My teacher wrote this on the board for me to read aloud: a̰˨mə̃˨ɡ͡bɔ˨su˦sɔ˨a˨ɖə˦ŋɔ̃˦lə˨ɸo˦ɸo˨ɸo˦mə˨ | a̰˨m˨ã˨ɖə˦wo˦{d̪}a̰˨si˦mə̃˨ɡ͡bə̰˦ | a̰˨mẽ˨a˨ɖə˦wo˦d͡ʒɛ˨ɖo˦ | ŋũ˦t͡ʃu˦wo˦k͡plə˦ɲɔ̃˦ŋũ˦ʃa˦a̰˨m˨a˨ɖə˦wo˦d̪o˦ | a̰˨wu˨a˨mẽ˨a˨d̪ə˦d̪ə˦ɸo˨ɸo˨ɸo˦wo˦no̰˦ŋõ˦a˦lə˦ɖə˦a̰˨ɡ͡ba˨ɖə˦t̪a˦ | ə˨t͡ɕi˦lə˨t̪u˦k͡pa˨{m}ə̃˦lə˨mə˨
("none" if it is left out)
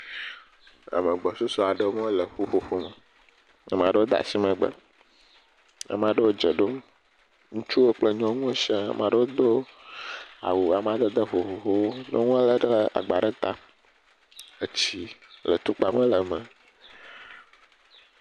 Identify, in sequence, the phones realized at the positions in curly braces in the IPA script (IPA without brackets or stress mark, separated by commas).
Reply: d̪, m